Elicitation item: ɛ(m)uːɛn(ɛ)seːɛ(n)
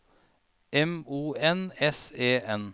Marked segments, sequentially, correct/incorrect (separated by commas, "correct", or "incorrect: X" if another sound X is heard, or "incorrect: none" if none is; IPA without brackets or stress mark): correct, correct, correct